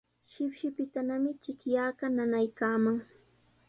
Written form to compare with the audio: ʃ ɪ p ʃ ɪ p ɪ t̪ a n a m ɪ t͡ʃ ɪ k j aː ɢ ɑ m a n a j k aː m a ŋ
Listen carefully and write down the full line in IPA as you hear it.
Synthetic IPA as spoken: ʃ ɪ p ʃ ɪ p ɪ t̪ a n a m ɪ t͡ʃ ɪ k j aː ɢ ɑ n a n a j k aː m a ŋ